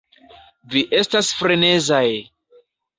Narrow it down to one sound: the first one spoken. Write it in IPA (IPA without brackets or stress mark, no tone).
v